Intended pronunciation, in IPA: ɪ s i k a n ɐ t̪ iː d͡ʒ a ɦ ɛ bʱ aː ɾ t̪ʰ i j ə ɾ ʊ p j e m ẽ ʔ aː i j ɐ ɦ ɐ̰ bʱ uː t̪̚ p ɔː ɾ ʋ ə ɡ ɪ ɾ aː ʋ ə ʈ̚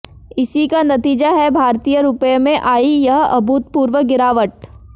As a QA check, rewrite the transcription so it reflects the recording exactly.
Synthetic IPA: ɪ s i k a n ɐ t̪ iː d͡ʒ a ɦ ɛ bʱ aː ɾ t̪ i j ə ɾ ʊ p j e m ẽ ʔ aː i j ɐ ɦ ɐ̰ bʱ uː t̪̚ p uː ɾ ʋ ə ɡ ɪ ɾ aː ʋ ə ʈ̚